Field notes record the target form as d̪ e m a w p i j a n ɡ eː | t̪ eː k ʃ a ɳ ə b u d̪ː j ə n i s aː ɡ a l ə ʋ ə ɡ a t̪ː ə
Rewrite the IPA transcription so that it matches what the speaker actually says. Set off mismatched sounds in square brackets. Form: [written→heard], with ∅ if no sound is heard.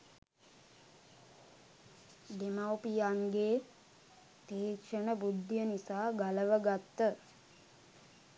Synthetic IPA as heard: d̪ e m a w p i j a [n→ŋ] ɡ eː | t̪ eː k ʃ [a→ə] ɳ ə b u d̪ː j ə n i s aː ɡ a l ə ʋ ə ɡ a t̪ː ə